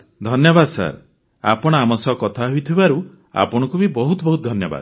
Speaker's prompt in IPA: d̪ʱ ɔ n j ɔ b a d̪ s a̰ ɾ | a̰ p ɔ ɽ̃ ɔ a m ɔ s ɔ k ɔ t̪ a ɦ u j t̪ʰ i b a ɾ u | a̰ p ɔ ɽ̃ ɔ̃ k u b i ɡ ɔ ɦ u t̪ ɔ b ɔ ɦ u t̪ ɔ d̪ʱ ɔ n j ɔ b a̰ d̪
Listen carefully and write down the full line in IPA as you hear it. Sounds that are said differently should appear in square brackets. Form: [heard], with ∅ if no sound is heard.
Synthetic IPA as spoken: d̪ʱ ɔ n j ɔ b a d̪ s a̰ ɾ | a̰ p ɔ ɽ̃ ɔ a m ɔ s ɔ k ɔ [t̪ʰ] a ɦ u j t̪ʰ i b a ɾ u | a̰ p ɔ ɽ̃ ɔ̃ k u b i [b] ɔ ɦ u t̪ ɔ b ɔ ɦ u t̪ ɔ d̪ʱ ɔ n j ɔ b a̰ d̪